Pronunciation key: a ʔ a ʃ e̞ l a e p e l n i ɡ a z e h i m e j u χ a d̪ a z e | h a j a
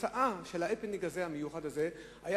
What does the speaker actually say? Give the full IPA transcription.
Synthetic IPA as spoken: a ʔ a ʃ e̞ l a e p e l n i ɡ a z e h a m e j u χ a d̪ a z e | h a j a